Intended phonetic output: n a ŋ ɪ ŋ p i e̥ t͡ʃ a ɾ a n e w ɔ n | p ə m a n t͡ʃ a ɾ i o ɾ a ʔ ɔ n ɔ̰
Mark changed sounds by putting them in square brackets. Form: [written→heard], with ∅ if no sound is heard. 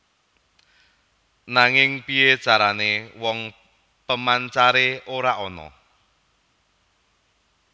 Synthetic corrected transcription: n a ŋ ɪ ŋ p i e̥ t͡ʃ a ɾ a n e w ɔ [n→ŋ] | p ə m a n t͡ʃ a ɾ [i→e] o ɾ a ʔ ɔ n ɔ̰